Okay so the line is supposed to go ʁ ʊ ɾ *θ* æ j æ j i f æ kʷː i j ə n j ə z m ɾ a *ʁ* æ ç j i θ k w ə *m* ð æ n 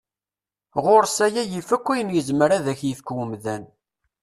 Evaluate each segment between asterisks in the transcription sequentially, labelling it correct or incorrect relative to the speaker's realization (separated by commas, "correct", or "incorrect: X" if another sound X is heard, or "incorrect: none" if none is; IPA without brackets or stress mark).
incorrect: s, incorrect: ð, correct